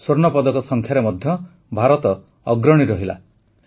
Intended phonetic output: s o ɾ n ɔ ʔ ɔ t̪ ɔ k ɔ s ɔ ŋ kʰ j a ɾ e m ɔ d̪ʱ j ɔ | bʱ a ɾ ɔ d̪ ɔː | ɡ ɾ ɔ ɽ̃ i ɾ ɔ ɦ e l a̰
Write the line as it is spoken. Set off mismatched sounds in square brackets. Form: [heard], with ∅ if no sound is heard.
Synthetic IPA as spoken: s o ɾ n ɔ [p] ɔ [d̪] ɔ k ɔ s ɔ ŋ kʰ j a ɾ e m ɔ d̪ʱ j ɔ | bʱ a ɾ ɔ [t̪] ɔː | ɡ ɾ ɔ ɽ̃ i ɾ ɔ ɦ [i] l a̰